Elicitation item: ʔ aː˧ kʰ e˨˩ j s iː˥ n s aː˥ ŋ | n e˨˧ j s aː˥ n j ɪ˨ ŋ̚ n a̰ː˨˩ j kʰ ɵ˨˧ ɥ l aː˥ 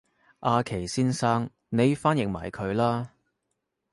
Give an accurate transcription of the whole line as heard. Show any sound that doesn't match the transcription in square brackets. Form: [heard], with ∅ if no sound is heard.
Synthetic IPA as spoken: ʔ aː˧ kʰ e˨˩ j s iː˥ n s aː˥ ŋ | n e˨˧ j [f] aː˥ n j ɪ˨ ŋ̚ [m] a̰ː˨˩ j kʰ ɵ˨˧ ɥ l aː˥